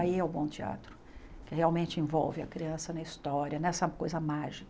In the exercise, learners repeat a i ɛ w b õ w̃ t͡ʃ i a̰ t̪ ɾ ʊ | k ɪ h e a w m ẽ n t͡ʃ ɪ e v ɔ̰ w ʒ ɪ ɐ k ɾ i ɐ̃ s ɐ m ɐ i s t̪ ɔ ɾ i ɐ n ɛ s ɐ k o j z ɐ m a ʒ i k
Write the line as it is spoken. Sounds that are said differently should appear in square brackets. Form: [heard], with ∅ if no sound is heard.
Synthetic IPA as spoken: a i ɛ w b õ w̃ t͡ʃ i a̰ t̪ ɾ ʊ | k ɪ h e a w m ẽ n t͡ʃ ɪ [ẽ] v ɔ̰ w [v] ɪ ɐ k ɾ i ɐ̃ s ɐ [n] ɐ i s t̪ ɔ ɾ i ɐ n ɛ s ɐ k o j z ɐ m a ʒ i k